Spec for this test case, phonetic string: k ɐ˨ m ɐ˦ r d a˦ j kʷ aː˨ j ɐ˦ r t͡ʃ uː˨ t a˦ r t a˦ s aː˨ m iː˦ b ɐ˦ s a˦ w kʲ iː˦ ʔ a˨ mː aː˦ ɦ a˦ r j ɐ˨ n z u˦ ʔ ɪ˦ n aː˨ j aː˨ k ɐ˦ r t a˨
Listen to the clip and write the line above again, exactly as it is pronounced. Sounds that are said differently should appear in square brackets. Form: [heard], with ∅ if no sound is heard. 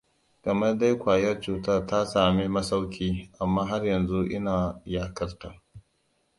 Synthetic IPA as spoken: k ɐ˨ m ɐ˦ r d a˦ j kʷ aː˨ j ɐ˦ r t͡ʃ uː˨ t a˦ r t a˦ s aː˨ m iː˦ [m] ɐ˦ s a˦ w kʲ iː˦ ʔ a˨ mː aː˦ ɦ a˦ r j ɐ˨ n z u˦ ʔ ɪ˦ n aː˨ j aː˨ k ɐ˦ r t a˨